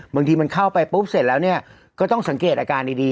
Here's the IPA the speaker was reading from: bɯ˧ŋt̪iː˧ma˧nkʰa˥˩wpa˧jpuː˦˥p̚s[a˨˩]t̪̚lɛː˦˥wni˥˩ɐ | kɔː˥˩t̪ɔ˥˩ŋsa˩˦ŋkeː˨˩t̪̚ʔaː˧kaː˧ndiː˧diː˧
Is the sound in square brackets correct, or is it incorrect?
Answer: incorrect